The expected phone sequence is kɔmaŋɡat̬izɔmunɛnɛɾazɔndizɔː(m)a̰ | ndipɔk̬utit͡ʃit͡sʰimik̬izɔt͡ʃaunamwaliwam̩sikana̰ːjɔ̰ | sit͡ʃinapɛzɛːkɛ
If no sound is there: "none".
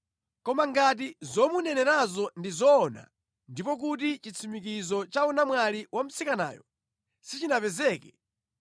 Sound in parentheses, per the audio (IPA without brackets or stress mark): n